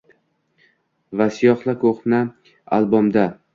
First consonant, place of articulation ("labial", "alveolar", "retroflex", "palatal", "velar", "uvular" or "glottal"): labial